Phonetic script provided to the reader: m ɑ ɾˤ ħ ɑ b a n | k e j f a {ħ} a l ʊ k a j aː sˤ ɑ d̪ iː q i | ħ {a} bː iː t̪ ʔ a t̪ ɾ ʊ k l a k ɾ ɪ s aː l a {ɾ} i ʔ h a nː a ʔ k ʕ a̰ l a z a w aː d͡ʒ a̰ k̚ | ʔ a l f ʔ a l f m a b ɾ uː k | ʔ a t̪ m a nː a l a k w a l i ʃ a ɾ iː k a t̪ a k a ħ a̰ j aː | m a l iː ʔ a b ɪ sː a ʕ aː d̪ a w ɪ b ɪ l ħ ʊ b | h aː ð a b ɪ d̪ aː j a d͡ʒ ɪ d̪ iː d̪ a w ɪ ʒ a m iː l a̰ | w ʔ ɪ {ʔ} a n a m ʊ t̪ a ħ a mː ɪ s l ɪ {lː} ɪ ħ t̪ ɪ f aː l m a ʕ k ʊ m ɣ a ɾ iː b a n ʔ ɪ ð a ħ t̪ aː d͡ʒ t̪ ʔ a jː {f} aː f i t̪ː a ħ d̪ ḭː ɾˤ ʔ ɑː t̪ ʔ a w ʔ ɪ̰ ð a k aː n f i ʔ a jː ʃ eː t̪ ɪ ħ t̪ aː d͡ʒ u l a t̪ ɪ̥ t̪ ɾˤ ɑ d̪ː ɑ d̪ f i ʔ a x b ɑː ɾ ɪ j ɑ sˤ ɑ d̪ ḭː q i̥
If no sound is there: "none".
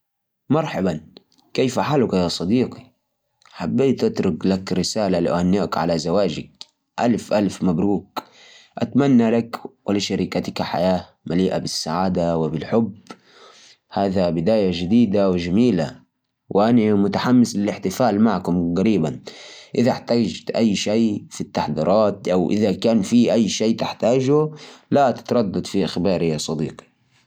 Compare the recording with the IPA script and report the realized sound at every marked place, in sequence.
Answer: ħ, a, l, ʔ, l, ʃ

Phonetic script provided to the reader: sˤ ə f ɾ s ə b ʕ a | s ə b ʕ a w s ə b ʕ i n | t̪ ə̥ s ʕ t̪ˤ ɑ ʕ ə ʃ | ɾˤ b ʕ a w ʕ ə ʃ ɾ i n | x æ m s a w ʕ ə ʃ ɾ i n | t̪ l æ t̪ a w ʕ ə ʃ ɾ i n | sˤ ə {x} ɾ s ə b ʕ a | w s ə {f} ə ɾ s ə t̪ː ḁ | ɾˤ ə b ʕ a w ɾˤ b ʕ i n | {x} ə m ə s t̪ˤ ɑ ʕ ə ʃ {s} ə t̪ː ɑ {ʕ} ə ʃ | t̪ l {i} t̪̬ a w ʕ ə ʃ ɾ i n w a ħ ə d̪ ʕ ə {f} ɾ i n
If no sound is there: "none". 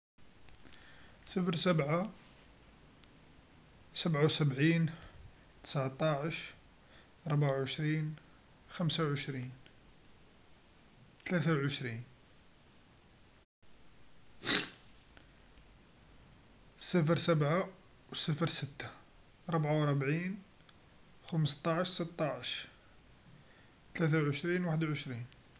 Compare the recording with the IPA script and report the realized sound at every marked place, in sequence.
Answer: f, f, x, s, ʕ, æ, ʃ

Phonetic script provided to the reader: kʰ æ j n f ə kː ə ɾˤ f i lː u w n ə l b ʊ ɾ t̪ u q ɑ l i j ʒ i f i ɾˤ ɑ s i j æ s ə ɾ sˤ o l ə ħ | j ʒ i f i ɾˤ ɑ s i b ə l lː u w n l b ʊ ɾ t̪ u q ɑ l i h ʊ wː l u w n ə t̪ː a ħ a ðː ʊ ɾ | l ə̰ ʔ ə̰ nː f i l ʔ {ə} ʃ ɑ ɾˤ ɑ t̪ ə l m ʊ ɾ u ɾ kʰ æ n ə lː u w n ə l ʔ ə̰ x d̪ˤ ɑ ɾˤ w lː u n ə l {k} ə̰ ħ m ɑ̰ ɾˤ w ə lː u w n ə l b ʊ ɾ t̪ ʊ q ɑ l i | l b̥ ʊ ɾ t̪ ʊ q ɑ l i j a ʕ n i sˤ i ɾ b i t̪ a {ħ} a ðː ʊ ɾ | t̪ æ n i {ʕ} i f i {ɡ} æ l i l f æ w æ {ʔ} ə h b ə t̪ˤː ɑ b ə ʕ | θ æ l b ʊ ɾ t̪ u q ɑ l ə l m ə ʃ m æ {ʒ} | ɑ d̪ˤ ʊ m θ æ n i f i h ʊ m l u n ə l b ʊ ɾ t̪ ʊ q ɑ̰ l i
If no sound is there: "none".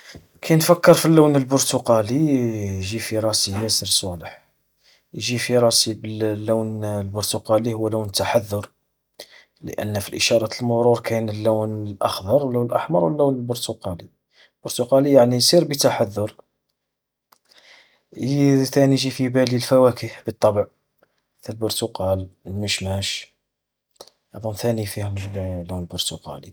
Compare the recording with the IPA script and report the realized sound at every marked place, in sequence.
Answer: ə, ʔ, ħ, ʒ, b, k, ʃ

